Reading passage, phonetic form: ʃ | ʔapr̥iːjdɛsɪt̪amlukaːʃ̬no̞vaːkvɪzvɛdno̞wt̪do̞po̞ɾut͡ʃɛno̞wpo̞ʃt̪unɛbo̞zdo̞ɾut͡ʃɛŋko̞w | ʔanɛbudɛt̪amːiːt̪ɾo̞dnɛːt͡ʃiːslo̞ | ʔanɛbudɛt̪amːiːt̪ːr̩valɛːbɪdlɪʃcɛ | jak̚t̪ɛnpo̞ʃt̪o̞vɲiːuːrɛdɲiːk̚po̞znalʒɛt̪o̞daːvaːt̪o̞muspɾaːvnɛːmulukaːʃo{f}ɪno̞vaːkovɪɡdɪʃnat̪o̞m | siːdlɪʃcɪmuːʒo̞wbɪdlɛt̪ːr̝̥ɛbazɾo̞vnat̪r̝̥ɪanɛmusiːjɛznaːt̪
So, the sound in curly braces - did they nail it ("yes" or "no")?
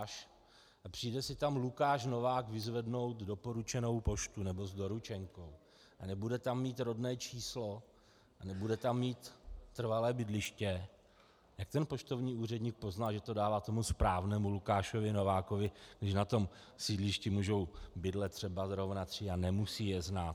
no